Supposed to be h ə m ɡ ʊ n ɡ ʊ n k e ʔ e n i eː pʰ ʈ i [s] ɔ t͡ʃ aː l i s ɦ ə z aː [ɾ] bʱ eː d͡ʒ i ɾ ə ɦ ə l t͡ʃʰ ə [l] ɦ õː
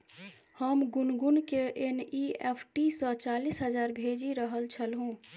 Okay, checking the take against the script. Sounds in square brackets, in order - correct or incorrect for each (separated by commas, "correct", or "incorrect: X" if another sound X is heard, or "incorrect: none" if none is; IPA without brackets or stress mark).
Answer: correct, correct, correct